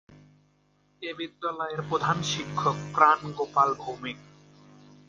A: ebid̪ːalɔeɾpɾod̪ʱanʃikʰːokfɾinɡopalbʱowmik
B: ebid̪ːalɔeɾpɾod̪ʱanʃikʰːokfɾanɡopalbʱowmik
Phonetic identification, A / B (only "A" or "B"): B